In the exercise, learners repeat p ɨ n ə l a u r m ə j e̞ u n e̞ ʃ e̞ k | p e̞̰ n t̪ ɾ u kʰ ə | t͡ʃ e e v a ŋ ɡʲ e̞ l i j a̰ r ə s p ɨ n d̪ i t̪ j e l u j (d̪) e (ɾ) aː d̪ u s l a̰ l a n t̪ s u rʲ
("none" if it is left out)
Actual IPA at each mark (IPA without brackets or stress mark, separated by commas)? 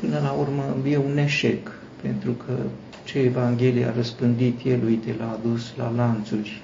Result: t̪, l